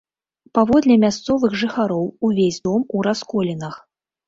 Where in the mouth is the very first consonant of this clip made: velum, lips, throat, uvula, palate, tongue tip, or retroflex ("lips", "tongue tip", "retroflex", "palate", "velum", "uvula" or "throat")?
lips